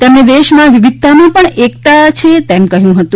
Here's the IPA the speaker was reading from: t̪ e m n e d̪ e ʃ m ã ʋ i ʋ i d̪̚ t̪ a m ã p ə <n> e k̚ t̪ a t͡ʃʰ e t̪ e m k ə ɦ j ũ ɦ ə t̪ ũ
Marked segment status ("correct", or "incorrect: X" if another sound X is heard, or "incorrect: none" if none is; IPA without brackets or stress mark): incorrect: ɳ